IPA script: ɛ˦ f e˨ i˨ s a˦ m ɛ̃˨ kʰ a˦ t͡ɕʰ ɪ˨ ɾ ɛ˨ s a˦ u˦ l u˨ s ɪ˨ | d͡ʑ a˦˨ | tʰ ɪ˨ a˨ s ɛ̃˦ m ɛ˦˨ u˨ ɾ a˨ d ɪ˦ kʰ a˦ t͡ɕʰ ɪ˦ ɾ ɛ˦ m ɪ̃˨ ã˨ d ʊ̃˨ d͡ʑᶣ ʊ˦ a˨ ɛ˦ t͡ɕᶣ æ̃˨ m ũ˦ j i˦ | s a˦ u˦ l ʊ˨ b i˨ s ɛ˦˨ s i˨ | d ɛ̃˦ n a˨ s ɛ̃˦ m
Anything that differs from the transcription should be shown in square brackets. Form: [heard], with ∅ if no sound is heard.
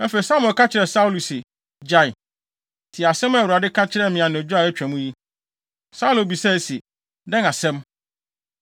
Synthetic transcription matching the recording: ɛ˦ f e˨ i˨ s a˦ m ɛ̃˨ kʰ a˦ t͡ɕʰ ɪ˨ ɾ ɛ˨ s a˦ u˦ l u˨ s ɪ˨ | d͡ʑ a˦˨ | tʰ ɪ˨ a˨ s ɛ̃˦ m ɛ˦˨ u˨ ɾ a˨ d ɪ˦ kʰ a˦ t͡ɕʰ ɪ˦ ɾ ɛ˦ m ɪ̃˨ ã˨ [n] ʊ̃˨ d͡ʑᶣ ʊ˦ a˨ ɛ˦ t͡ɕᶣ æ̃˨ m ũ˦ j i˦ | s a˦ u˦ l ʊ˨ b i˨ s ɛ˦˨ s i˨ | d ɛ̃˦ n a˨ s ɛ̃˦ m